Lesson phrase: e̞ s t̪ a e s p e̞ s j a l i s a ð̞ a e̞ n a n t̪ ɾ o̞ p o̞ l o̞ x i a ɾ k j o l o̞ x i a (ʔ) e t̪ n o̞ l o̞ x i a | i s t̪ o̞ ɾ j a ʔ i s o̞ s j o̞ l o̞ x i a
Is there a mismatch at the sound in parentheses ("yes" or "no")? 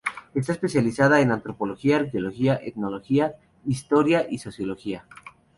no